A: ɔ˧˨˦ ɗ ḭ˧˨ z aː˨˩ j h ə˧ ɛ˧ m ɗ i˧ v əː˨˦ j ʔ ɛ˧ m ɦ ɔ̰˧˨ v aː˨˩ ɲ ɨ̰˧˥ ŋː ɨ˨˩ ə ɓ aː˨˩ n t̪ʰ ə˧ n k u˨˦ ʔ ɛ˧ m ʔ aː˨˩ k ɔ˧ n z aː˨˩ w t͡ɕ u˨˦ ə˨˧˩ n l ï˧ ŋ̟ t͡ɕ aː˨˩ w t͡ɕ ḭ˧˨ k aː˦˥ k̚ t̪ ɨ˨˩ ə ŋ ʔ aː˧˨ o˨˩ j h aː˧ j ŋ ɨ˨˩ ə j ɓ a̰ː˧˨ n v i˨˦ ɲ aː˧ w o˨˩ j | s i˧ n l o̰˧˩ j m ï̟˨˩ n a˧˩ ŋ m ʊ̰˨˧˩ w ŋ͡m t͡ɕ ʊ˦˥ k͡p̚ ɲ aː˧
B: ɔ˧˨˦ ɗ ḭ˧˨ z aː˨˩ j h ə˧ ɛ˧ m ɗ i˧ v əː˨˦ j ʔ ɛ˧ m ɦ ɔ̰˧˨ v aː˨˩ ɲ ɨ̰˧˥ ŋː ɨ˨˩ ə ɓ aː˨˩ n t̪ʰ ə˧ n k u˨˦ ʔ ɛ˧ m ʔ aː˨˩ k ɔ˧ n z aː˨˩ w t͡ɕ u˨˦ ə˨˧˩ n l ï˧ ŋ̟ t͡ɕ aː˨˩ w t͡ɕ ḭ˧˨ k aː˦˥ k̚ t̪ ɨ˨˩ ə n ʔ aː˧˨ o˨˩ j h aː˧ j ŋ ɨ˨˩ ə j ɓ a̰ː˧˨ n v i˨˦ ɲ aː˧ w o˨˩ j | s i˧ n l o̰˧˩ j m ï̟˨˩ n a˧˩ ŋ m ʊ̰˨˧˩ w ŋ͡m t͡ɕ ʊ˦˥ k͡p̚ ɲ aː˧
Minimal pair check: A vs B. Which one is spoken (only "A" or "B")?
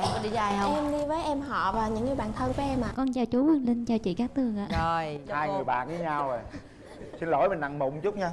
A